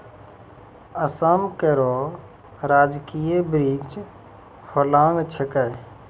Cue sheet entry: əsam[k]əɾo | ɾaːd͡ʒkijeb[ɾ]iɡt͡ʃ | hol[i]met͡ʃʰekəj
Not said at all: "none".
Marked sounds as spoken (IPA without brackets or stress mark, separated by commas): k, ɾ, a